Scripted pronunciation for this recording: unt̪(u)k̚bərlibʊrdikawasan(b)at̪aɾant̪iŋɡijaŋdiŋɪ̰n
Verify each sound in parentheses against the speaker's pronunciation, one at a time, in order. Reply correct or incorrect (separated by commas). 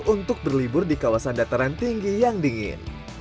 incorrect, incorrect